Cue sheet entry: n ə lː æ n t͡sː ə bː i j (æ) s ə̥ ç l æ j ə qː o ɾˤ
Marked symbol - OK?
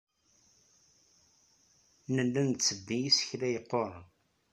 no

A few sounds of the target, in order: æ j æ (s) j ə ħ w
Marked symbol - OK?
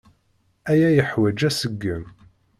no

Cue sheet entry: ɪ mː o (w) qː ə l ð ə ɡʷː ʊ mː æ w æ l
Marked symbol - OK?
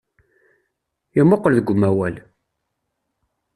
no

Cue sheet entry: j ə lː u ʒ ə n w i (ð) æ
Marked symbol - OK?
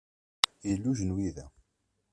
yes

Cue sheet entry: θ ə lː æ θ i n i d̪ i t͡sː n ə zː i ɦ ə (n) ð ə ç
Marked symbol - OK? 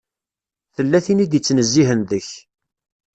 yes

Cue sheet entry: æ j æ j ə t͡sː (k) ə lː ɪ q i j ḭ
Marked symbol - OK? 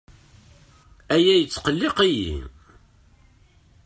no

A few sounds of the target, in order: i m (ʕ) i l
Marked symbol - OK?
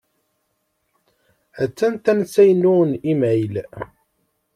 yes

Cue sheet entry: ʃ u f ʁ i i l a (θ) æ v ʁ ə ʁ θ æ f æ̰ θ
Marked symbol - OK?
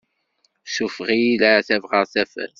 yes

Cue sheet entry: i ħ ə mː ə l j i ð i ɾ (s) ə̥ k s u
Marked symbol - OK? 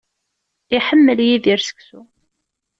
yes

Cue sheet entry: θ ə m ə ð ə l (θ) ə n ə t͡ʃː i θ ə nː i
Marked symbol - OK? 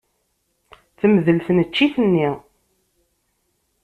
yes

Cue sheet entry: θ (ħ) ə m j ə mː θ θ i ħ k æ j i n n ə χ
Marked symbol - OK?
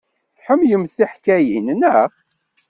yes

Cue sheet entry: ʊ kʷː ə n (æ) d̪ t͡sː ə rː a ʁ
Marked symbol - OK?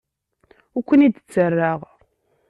no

